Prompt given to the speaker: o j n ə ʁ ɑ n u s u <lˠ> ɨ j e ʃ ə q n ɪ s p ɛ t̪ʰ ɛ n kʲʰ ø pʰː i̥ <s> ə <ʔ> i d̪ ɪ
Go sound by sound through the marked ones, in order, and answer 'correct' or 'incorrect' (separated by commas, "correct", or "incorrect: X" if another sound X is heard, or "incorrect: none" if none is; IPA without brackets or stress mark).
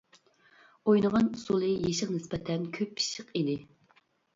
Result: correct, incorrect: ʃ, incorrect: q